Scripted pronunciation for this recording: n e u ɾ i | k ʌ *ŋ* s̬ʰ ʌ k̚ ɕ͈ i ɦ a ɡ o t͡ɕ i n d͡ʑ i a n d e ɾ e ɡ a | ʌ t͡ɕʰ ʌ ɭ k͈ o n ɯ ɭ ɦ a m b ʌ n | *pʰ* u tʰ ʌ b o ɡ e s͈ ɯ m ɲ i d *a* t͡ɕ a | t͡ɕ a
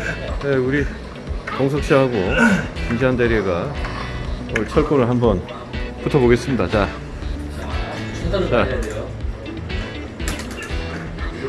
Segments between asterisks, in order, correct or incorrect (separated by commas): correct, incorrect, correct